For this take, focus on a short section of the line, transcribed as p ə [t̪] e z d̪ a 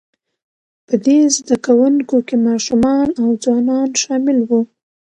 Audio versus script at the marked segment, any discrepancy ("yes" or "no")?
yes